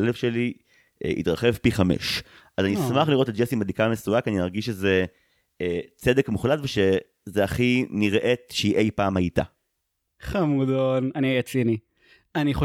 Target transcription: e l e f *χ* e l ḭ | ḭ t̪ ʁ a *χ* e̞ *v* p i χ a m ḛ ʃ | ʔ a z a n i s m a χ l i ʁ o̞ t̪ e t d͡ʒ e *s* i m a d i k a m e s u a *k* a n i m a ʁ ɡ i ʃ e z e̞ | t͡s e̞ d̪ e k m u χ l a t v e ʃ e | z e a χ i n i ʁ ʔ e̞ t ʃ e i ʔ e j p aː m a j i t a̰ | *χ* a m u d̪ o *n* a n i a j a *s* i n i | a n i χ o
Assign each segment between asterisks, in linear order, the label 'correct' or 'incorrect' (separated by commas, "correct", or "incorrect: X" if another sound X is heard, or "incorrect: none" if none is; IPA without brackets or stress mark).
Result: incorrect: ʃ, correct, correct, correct, correct, correct, correct, incorrect: t͡s